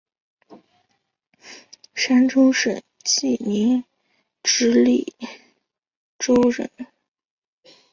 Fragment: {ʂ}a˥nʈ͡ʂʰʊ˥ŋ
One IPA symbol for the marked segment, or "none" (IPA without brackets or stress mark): ʂ